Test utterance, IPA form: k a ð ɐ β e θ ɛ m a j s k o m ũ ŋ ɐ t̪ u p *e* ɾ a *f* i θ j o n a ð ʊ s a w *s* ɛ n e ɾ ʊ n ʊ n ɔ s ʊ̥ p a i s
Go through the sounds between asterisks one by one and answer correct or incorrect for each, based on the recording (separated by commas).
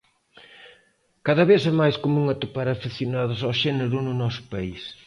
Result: incorrect, correct, incorrect